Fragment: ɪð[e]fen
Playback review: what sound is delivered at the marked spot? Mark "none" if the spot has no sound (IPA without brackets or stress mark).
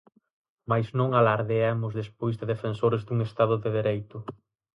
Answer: e